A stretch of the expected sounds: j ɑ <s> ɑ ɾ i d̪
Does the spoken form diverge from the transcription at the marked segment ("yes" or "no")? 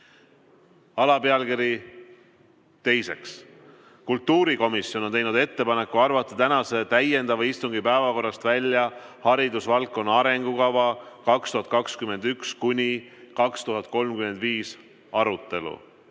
yes